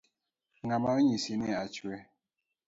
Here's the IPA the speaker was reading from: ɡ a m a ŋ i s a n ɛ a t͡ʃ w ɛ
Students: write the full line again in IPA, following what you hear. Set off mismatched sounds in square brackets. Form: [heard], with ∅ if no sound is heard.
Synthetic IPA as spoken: [ŋ] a m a [ɲ] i s [i] n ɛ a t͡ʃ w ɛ